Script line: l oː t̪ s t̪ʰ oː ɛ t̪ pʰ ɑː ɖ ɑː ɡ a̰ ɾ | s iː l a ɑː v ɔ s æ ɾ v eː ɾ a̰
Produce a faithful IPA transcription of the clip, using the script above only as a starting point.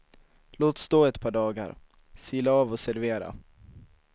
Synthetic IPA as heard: l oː t̪ s t̪ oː ɛ t̪ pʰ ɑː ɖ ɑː ɡ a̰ ɾ | s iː l a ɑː v ɔ s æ ɾ v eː ɾ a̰